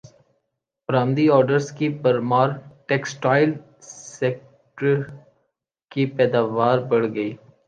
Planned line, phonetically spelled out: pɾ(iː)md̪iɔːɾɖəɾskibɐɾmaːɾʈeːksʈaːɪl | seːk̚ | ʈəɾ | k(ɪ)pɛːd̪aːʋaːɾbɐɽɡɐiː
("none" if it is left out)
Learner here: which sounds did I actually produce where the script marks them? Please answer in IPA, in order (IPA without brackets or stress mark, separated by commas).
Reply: aː, i